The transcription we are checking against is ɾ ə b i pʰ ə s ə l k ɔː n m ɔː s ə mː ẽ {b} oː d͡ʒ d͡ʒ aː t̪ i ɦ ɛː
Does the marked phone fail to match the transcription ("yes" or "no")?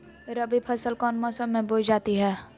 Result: no